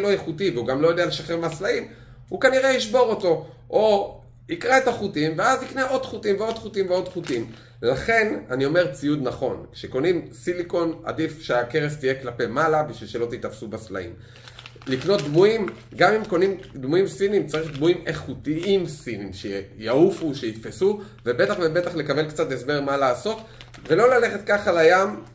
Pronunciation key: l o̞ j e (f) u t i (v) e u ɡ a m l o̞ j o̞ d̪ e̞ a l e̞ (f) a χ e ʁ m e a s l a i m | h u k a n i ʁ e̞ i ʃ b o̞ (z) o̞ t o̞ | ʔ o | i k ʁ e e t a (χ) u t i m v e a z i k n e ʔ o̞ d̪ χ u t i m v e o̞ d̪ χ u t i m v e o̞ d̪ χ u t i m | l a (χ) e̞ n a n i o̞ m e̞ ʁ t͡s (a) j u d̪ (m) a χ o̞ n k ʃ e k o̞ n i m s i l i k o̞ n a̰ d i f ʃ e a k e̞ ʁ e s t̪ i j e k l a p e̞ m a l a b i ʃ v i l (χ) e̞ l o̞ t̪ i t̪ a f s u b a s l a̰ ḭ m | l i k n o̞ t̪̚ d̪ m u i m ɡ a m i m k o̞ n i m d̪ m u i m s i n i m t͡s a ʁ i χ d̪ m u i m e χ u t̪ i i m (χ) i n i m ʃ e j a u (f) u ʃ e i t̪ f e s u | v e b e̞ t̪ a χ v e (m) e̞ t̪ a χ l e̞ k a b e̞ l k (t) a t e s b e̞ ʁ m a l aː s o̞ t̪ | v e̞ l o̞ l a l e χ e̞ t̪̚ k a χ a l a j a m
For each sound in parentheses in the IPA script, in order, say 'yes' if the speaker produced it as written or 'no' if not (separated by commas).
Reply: no, yes, no, no, yes, yes, no, no, no, no, yes, no, no